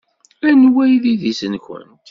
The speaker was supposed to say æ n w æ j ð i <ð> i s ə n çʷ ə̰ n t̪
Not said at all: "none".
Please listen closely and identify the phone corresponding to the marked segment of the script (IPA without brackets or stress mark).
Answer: ð